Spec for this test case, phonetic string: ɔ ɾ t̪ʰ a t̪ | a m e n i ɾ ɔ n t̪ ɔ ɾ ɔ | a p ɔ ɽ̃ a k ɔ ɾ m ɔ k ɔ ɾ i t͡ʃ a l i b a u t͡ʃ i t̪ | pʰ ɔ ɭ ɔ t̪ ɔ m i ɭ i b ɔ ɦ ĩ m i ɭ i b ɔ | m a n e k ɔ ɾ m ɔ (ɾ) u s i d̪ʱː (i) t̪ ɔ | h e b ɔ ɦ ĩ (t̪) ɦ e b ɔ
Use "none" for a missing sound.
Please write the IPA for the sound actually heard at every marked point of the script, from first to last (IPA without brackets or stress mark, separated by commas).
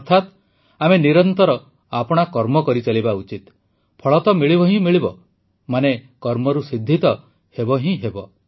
ɾ, i, none